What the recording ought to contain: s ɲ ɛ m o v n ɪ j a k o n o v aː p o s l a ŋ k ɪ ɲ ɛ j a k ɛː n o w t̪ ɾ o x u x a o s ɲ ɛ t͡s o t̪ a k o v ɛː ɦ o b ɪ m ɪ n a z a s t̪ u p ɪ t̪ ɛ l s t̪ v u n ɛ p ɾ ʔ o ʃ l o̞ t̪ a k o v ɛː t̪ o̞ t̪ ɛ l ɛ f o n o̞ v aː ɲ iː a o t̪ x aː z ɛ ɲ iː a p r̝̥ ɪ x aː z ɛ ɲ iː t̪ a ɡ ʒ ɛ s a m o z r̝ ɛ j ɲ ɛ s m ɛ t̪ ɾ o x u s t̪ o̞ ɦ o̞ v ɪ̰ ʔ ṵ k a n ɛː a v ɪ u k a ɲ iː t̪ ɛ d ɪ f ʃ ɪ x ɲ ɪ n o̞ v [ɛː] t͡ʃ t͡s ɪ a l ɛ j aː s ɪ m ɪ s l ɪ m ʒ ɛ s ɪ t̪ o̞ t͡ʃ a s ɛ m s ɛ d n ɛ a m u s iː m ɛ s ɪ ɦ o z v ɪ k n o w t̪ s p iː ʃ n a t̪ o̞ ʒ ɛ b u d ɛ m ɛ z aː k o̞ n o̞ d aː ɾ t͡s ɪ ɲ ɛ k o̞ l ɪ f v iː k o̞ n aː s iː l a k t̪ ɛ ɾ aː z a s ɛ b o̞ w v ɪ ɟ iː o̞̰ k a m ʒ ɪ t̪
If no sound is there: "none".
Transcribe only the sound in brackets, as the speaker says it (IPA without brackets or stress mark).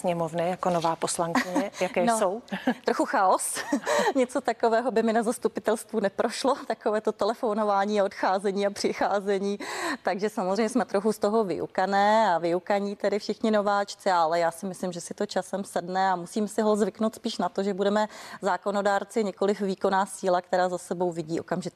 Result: aː